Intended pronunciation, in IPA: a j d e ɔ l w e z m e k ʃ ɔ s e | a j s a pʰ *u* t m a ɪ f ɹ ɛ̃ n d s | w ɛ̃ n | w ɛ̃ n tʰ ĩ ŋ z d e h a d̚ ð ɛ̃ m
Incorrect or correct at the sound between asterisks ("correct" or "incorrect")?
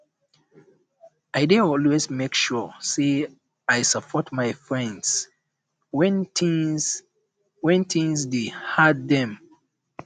incorrect